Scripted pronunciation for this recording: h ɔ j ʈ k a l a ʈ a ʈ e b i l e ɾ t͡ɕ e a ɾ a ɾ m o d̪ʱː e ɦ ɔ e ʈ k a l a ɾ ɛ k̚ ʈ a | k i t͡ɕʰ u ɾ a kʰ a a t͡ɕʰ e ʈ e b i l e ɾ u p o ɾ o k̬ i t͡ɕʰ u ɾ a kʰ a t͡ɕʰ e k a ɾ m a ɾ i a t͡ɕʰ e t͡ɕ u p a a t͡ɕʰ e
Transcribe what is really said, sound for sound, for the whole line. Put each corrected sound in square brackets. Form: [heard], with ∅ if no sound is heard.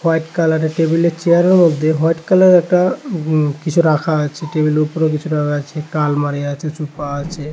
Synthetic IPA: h ɔ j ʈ k a l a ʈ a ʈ e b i l e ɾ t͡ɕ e a ɾ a ɾ m o d̪ʱː e ɦ ɔ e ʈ k a l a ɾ ɛ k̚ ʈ a | k i t͡ɕʰ u ɾ a kʰ a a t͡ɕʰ e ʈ e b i l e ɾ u p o ɾ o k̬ i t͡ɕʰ u ɾ a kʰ a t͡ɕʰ e k a [l] m a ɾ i a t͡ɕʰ e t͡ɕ u p a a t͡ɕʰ e